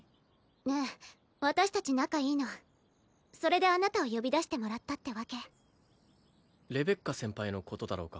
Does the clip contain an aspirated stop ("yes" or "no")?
no